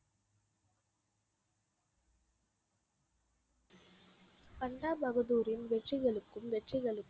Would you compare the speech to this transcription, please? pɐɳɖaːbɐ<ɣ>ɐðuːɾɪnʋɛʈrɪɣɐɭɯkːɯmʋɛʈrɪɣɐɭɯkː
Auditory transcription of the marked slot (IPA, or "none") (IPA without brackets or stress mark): ɣ